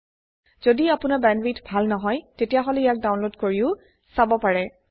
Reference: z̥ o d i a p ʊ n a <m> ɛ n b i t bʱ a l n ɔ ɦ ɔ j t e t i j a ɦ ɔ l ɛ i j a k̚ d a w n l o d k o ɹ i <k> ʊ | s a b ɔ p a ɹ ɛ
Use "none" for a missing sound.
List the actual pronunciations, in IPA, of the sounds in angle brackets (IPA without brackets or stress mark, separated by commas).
b, none